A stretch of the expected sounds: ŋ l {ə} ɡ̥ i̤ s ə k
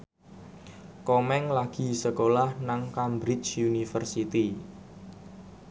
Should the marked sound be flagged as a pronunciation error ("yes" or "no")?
yes